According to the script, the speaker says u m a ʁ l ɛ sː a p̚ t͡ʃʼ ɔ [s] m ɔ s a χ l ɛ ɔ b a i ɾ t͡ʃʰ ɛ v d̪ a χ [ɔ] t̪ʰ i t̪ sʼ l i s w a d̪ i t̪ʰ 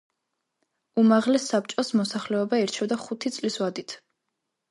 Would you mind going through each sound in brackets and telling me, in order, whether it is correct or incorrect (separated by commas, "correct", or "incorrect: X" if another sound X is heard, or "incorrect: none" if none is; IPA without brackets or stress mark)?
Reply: correct, incorrect: u